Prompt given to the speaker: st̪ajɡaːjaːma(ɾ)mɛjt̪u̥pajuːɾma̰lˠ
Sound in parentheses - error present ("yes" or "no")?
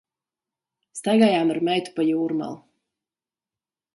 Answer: no